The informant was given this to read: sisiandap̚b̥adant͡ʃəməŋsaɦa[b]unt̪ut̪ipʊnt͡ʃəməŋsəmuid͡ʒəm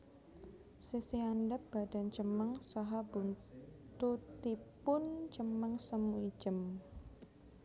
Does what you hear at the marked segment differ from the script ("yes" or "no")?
no